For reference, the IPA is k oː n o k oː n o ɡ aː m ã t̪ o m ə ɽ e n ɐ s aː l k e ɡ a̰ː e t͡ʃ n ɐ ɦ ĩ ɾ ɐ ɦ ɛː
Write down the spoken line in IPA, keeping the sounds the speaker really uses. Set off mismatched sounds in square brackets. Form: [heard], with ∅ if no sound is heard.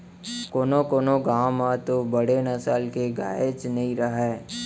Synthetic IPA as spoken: k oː n o k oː n o ɡ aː m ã t̪ o [b] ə ɽ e n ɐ s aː l k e ɡ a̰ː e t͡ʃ n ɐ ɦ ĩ ɾ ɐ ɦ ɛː